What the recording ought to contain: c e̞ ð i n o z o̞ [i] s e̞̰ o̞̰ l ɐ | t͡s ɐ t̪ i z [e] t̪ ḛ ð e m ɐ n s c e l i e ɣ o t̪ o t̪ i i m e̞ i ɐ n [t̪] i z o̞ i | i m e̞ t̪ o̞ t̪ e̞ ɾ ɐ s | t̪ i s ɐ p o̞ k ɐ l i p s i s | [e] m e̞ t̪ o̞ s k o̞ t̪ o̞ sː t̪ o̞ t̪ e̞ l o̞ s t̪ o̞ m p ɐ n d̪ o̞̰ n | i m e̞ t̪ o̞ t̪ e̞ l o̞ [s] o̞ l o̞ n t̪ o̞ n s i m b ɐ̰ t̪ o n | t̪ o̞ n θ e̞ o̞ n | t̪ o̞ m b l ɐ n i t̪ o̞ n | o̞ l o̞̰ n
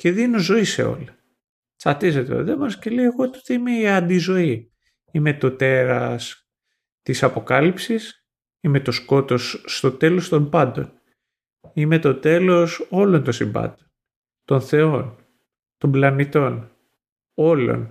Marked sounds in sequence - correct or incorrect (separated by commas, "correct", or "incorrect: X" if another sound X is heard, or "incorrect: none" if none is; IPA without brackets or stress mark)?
correct, correct, incorrect: d̪, incorrect: i, correct